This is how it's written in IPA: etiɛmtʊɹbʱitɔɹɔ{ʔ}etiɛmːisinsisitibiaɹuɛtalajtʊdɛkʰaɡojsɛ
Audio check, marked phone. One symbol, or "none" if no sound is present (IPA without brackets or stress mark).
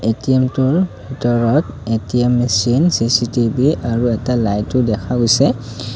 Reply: t